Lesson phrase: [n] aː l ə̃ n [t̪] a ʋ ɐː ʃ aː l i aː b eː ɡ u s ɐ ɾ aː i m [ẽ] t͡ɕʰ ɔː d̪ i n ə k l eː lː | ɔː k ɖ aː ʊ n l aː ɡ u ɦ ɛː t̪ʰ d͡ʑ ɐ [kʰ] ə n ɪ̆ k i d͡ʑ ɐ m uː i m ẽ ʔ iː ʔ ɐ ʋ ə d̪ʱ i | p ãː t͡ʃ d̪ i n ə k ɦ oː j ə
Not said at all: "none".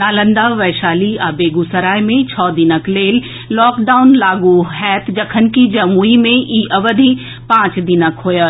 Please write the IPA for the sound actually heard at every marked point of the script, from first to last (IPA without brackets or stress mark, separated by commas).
n, d̪, ẽ, kʰ